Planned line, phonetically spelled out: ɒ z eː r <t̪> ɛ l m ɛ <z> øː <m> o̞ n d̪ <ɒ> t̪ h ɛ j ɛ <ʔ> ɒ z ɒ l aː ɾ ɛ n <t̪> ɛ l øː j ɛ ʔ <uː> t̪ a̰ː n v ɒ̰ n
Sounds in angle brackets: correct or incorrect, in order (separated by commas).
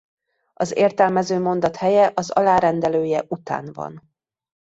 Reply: correct, correct, correct, correct, correct, incorrect, incorrect